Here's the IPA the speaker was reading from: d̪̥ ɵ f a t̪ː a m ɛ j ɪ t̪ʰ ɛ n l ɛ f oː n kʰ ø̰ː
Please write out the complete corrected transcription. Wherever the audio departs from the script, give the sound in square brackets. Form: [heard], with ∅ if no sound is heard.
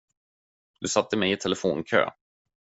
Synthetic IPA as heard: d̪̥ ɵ [s] a t̪ː [ə] m ɛ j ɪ t̪ʰ ɛ [∅] l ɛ f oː n kʰ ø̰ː